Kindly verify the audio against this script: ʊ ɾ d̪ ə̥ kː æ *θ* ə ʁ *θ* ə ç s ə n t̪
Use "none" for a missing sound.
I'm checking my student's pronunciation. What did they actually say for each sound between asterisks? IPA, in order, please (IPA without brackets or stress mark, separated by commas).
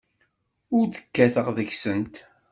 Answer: θ, ð